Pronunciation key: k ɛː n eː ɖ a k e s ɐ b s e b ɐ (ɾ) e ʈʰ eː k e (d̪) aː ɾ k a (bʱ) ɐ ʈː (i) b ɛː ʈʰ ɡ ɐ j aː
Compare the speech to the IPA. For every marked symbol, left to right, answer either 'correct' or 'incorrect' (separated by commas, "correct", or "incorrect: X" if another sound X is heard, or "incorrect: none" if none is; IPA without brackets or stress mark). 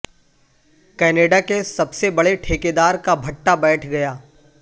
incorrect: ɽ, correct, correct, incorrect: a